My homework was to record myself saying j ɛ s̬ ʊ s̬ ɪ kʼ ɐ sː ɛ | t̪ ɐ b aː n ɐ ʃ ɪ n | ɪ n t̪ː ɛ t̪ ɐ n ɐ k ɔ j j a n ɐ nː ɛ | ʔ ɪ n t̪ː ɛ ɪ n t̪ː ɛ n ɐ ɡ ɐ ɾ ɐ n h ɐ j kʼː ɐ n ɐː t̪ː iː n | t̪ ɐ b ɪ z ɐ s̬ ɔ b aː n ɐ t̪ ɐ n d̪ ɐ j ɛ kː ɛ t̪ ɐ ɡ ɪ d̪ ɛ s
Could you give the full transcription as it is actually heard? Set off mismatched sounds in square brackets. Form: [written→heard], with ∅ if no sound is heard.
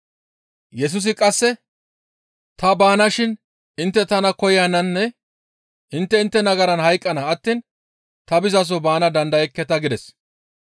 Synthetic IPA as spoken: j ɛ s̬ ʊ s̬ ɪ kʼ ɐ sː ɛ | t̪ ɐ b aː n ɐ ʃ ɪ n | ɪ n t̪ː ɛ t̪ ɐ n ɐ k ɔ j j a n ɐ nː ɛ | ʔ ɪ n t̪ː ɛ ɪ n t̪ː ɛ n ɐ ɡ ɐ ɾ ɐ n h ɐ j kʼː ɐ n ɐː t̪ː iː n | t̪ ɐ b ɪ z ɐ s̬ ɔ b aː n ɐ [t̪→d̪] ɐ n d̪ ɐ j ɛ kː ɛ t̪ ɐ ɡ ɪ d̪ ɛ s